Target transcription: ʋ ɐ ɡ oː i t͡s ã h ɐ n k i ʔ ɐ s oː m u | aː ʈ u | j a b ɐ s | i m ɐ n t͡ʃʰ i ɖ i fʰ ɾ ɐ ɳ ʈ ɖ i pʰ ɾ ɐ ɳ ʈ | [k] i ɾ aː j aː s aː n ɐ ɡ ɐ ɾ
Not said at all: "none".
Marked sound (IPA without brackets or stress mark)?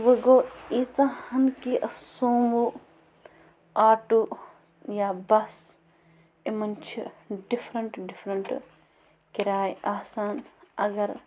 k